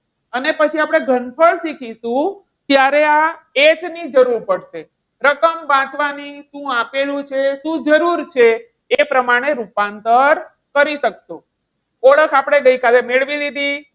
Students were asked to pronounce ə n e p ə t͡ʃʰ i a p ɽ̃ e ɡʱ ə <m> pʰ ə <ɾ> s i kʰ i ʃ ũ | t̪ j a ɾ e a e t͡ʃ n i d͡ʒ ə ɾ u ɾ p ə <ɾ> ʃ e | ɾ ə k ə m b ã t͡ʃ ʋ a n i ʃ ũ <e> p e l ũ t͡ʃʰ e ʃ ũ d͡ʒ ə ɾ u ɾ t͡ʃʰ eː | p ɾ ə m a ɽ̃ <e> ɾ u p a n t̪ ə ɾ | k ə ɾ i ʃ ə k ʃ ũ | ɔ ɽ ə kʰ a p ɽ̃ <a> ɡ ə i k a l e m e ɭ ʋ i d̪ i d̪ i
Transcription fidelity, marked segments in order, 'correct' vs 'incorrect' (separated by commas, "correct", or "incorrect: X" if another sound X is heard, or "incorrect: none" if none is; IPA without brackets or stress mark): incorrect: n, incorrect: ɭ, incorrect: ɽ, incorrect: a, correct, incorrect: e